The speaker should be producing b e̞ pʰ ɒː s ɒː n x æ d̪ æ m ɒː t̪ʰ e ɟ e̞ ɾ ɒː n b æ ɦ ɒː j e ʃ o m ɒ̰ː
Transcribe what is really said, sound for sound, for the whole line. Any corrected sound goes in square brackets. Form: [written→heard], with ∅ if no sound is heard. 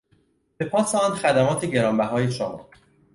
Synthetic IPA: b e̞ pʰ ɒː s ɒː n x æ d̪ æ m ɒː t̪ʰ e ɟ e̞ ɾ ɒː [n→m] b æ ɦ ɒː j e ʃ o m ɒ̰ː